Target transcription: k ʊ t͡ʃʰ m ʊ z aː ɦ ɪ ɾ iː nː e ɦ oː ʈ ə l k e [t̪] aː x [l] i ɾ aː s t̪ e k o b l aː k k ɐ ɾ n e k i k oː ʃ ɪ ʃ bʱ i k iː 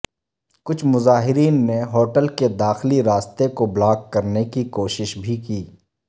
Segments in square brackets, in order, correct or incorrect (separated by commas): incorrect, correct